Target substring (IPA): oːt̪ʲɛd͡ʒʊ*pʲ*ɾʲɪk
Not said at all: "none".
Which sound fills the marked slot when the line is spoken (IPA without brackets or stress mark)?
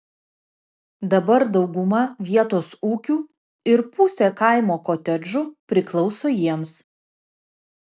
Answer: pʲ